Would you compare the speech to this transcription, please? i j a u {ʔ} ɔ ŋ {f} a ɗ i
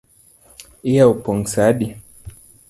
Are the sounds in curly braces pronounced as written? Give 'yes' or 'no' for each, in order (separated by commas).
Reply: no, no